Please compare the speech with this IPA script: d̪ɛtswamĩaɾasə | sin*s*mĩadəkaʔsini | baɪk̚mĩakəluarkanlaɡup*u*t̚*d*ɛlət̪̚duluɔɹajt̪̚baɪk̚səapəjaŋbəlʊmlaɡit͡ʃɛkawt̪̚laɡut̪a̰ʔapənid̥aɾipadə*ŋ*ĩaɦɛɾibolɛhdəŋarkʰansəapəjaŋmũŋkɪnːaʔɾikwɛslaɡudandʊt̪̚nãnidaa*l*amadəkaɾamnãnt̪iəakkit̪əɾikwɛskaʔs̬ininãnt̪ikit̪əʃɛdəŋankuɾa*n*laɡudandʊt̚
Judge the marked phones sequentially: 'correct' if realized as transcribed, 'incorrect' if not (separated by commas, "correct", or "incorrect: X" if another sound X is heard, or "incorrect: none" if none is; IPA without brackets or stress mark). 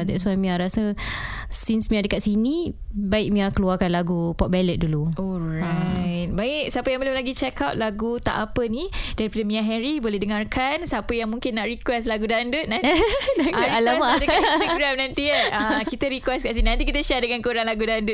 correct, incorrect: ɔ, incorrect: b, incorrect: m, correct, incorrect: ŋ